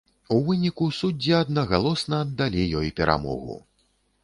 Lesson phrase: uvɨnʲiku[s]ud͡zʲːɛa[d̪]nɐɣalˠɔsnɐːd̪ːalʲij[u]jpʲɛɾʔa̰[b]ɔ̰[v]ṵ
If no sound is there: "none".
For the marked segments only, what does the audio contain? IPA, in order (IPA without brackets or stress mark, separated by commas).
s, d̪, ɔ, m, ɣ